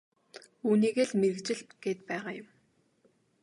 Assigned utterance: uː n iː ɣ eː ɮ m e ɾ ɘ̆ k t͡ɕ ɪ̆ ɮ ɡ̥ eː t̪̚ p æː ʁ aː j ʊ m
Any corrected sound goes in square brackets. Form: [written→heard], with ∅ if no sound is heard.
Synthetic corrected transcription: uː n iː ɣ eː ɮ m e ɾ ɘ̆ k t͡ɕ ɪ̆ ɮ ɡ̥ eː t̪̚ p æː ʁ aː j ʊ m

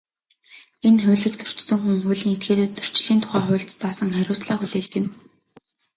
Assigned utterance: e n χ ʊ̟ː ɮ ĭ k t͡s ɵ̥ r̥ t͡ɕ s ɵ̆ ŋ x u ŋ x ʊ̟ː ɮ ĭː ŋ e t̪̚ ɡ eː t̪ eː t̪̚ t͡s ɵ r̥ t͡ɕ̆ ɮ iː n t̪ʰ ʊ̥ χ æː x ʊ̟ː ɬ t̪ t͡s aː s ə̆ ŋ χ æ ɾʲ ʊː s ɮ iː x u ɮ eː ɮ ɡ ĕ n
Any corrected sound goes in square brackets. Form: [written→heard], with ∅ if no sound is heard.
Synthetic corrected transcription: e n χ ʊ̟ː ɮ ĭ k t͡s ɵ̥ r̥ t͡ɕ s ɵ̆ ŋ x u ŋ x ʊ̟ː ɮ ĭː ŋ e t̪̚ ɡ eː t̪ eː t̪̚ t͡s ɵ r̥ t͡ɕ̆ ɮ iː n t̪ʰ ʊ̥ χ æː [x→χ] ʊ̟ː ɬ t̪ t͡s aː s ə̆ ŋ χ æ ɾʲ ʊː s ɮ [iː→aː] x u ɮ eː ɮ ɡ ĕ n

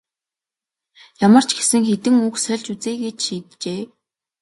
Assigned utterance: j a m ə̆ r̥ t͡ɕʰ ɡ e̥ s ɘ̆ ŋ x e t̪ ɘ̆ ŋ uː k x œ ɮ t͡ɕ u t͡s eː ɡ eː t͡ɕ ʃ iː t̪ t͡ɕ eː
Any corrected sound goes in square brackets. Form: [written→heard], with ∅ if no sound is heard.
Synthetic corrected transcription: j a m ə̆ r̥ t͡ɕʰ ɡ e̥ s ɘ̆ ŋ x e t̪ ɘ̆ ŋ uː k [x→s] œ ɮ t͡ɕ u t͡s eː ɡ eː t͡ɕ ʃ iː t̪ t͡ɕ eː

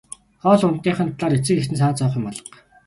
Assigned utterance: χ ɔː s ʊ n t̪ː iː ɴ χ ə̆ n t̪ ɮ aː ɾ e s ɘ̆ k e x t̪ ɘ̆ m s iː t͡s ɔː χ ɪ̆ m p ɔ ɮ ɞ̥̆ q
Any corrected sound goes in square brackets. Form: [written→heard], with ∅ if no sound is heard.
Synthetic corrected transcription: χ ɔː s ʊ n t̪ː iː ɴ χ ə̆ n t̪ ɮ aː ɾ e [s→t͡s] ɘ̆ k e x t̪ ɘ̆ [m→n] s [iː→aː] t͡s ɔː χ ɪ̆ m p ɔ ɮ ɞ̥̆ q

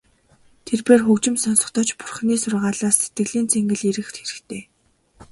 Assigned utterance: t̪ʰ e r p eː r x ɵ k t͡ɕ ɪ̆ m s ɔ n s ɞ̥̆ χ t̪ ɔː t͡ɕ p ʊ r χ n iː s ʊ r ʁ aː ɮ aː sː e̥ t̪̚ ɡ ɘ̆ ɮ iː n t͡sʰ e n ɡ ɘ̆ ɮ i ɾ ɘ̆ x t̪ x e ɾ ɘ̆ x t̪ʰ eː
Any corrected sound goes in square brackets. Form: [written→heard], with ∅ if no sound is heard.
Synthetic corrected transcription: t̪ʰ e r p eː r x ɵ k t͡ɕ ɪ̆ m s ɔ n s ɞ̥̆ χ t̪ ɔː t͡ɕ p ʊ r χ n iː s ʊ r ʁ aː ɮ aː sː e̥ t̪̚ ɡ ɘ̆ ɮ iː n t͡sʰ e [n→ŋ] ɡ ɘ̆ ɮ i ɾ ɘ̆ x t̪ x e ɾ ɘ̆ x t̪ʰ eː

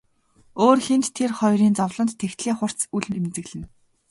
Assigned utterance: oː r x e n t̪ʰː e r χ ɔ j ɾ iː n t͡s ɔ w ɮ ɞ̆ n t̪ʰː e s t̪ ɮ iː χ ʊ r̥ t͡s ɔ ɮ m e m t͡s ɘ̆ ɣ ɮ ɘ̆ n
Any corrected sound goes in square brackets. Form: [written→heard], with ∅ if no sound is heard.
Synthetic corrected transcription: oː r x e n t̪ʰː e r χ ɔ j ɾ iː n t͡s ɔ w ɮ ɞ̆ n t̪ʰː e [s→x] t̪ ɮ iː χ ʊ r̥ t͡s [ɔ→u] ɮ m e m t͡s ɘ̆ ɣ ɮ ɘ̆ n

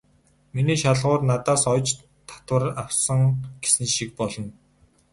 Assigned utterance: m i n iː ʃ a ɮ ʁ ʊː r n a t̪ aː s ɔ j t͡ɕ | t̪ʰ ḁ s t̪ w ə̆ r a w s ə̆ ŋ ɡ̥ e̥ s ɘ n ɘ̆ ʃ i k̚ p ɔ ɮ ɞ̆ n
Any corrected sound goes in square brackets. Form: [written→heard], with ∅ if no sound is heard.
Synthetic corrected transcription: m i n iː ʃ a ɮ ʁ ʊː r n a t̪ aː s ɔ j t͡ɕ | t̪ʰ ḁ [s→∅] t̪ w ə̆ r a w s ə̆ ŋ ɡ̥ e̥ s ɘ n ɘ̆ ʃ i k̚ p ɔ ɮ ɞ̆ n

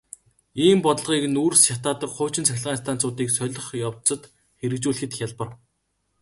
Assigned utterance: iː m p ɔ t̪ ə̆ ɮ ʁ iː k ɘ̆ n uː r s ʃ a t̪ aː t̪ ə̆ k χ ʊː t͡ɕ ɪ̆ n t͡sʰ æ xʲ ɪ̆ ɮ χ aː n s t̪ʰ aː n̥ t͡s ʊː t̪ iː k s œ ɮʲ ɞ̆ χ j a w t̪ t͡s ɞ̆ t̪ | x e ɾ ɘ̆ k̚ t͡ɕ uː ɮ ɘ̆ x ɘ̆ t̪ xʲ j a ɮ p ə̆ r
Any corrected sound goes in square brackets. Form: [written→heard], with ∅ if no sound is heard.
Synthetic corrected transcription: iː m p ɔ t̪ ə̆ ɮ ʁ iː k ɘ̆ n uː r s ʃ a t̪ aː t̪ ə̆ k χ ʊː t͡ɕ ɪ̆ n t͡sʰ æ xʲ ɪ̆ ɮ [χ→ʁ] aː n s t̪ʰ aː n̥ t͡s ʊː t̪ iː k s œ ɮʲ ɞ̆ χ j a w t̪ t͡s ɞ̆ t̪ | x e ɾ ɘ̆ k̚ t͡ɕ uː ɮ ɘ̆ x ɘ̆ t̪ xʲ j a ɮ p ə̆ r

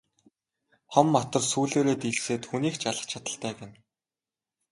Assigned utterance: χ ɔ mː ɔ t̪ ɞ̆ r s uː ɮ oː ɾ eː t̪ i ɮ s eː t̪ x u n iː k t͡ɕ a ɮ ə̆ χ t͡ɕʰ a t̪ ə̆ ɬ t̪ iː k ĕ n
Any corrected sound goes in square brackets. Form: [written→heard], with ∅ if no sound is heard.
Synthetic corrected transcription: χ ɔ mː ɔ t̪ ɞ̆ r s uː ɮ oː ɾ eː t̪ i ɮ s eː t̪ x u n iː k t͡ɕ a ɮ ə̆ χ t͡ɕʰ a t̪ ə̆ ɬ t̪ [iː→æː] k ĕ n

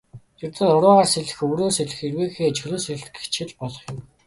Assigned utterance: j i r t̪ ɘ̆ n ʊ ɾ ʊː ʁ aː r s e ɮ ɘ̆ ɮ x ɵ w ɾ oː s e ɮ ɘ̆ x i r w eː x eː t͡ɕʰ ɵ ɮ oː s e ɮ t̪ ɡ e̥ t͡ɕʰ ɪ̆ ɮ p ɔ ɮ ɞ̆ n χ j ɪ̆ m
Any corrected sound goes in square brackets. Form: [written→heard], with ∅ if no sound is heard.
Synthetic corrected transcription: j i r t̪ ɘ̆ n ʊ ɾ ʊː ʁ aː r s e ɮ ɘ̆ [ɮ→∅] x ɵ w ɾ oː s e ɮ ɘ̆ x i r w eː x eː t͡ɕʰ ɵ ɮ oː s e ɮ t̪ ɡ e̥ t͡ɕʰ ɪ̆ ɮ p ɔ ɮ ɞ̆ [n→∅] χ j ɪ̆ m

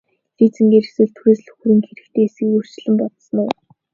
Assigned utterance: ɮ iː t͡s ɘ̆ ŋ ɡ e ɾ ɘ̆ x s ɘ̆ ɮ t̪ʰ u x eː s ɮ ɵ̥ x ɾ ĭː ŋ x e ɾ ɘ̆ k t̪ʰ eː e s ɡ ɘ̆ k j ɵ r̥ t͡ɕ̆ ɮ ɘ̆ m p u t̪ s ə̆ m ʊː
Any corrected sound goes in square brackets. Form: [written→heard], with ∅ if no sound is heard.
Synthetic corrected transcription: ɮ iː t͡s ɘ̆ ŋ ɡ e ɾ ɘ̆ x s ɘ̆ ɮ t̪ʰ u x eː s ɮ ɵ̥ x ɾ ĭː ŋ x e ɾ ɘ̆ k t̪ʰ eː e s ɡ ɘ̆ k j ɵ r̥ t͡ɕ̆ ɮ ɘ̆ m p [u→ɔ] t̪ s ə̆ [m→n] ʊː

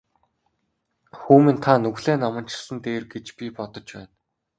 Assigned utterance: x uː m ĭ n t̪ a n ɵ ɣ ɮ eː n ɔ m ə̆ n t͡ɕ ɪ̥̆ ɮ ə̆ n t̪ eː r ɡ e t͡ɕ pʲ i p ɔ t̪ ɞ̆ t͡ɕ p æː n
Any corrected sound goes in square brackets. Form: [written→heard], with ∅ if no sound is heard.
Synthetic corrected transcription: x uː m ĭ n [t̪→t̪ʰ] a n ɵ ɣ ɮ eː n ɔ m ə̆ n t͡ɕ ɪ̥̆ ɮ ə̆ n t̪ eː r ɡ e t͡ɕ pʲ i p ɔ t̪ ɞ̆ t͡ɕ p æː n

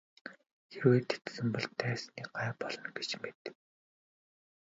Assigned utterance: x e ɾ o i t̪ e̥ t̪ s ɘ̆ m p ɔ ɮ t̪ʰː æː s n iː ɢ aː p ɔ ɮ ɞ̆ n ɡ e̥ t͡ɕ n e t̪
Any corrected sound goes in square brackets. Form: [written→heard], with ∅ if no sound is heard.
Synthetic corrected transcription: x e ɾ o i t̪ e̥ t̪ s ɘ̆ m p ɔ ɮ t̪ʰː æː s n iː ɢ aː p ɔ ɮ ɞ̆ n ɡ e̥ t͡ɕ [n→m] e t̪

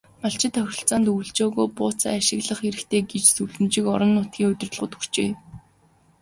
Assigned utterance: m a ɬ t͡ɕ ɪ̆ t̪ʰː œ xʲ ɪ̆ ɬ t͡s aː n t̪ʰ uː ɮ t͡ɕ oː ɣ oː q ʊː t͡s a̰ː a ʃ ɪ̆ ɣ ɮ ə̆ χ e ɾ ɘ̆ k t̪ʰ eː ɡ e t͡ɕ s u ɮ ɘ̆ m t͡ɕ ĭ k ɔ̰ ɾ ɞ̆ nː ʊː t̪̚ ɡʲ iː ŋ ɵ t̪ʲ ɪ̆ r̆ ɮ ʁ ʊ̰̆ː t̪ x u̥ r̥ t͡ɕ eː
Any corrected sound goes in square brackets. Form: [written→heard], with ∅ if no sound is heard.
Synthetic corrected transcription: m a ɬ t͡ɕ ɪ̆ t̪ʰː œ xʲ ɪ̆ ɬ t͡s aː n [t̪ʰ→t̪] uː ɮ t͡ɕ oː ɣ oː [q→p] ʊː t͡s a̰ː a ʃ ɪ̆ ɣ ɮ ə̆ χ e ɾ ɘ̆ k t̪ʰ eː ɡ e t͡ɕ s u ɮ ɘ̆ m t͡ɕ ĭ k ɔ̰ ɾ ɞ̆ nː ʊː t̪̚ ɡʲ iː ŋ ɵ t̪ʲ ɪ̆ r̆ ɮ ʁ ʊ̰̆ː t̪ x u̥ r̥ t͡ɕ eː

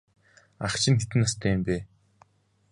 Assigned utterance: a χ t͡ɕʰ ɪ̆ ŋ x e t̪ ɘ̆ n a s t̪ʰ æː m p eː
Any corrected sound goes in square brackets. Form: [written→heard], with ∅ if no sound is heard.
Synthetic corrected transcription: a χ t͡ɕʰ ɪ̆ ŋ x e t̪ ɘ̆ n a s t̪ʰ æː m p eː

